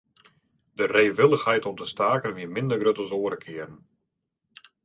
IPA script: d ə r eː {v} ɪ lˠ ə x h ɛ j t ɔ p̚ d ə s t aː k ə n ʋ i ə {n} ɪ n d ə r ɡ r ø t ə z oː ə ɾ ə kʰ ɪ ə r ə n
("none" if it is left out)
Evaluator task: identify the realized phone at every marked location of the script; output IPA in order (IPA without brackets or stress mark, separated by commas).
ʋ, m